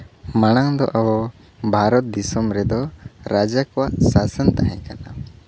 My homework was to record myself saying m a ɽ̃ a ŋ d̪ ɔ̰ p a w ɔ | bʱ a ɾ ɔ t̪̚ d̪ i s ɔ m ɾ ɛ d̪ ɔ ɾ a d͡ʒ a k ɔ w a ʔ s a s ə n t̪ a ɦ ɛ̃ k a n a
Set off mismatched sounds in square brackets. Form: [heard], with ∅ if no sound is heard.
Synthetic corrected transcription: m a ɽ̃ a ŋ d̪ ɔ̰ [ʔ] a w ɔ | bʱ a ɾ ɔ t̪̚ d̪ i s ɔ m ɾ ɛ d̪ ɔ ɾ a d͡ʒ a k ɔ w a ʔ s a s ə n t̪ a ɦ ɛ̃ k a n a